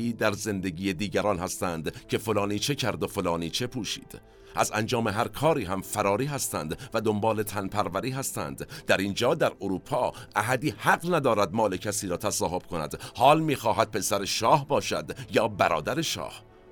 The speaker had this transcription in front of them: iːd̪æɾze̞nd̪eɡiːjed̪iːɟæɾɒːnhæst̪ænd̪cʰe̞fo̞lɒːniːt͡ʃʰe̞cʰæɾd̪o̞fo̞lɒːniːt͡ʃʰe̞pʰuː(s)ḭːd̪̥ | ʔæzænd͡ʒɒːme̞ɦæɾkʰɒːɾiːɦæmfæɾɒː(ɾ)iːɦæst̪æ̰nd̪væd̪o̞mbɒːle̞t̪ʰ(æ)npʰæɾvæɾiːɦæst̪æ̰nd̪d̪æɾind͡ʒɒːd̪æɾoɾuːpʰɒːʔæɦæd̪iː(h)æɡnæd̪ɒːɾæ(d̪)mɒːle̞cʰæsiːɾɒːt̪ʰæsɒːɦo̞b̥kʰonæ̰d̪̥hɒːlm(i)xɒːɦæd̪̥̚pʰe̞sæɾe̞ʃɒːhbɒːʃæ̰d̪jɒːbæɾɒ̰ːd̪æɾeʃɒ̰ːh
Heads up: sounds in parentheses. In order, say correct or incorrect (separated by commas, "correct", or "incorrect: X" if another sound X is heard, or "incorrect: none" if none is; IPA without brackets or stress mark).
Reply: incorrect: ʃ, correct, correct, correct, correct, incorrect: iː